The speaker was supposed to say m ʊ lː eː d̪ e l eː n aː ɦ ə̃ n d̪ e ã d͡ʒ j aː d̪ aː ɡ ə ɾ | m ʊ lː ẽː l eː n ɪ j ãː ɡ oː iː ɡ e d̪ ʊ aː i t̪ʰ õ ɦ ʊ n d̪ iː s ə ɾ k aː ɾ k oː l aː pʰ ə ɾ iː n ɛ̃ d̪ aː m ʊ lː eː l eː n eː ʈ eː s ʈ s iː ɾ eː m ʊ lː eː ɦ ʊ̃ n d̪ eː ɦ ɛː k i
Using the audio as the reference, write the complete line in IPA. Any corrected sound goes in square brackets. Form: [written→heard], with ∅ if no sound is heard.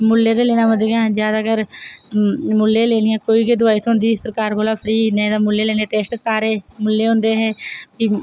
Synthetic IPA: m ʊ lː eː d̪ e l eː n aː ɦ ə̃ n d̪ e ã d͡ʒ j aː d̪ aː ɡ ə ɾ | m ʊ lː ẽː l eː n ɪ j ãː [ɡ→k] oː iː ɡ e d̪ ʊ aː i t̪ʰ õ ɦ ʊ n d̪ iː s ə ɾ k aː ɾ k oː l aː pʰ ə ɾ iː n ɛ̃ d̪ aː m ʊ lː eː l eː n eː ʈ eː s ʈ s [iː→aː] ɾ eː m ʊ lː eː ɦ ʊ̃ n d̪ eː ɦ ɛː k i